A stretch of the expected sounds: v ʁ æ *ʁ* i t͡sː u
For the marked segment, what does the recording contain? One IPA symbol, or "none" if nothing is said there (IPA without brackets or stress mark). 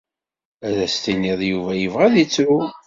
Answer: ð